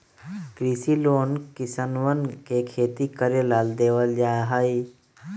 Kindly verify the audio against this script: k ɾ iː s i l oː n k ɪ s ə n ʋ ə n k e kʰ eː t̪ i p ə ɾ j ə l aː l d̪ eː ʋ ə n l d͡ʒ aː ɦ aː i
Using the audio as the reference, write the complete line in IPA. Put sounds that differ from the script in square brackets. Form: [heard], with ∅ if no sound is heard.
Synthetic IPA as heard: k ɾ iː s i l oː n k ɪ s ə n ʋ ə n k e kʰ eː t̪ i [k] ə ɾ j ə l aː l d̪ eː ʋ ə [∅] l d͡ʒ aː ɦ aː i